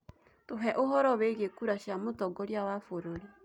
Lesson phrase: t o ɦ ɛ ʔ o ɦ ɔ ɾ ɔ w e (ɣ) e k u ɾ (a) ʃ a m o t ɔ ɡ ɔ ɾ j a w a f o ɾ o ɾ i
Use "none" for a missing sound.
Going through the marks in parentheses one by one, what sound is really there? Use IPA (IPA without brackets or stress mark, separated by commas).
ɣ, a